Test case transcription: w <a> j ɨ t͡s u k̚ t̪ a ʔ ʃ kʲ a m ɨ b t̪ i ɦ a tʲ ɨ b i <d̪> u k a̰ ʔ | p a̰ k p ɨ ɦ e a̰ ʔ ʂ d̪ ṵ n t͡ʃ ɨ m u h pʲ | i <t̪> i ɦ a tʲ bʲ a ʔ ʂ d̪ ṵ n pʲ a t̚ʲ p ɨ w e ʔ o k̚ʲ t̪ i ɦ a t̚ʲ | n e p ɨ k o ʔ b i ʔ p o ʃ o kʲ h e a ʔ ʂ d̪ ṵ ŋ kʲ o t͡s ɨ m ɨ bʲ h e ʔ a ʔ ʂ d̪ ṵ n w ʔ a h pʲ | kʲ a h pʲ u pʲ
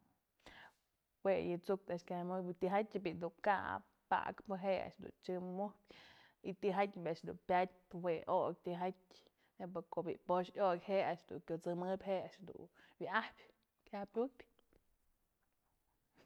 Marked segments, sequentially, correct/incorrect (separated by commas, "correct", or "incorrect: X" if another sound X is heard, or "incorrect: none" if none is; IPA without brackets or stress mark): incorrect: e, correct, correct